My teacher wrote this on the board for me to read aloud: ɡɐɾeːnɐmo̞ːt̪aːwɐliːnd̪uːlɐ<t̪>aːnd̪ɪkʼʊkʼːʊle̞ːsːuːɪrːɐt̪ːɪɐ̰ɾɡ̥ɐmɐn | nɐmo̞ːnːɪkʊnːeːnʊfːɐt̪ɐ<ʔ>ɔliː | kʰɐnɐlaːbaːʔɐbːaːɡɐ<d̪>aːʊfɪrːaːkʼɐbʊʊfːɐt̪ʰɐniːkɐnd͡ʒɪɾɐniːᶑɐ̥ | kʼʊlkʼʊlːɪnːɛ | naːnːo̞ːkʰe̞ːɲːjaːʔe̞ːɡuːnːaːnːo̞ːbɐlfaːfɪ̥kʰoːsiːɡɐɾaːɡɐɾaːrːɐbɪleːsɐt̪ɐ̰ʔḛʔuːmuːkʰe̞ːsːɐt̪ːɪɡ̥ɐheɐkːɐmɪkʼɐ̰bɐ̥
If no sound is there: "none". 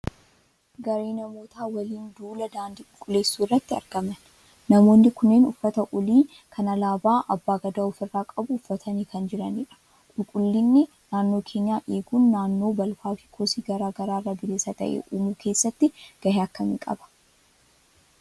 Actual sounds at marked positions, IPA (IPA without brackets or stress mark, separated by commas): d̪, ʔ, d̪